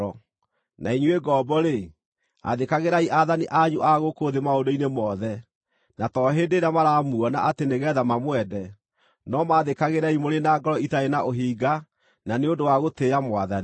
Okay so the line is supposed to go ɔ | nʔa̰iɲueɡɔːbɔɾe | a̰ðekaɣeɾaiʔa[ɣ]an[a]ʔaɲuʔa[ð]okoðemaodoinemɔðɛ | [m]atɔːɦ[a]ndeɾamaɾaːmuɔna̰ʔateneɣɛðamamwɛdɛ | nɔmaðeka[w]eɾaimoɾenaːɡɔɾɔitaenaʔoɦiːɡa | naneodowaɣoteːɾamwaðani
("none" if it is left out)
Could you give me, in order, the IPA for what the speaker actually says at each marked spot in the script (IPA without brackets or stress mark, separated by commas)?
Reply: ð, i, ɣ, n, e, ɣ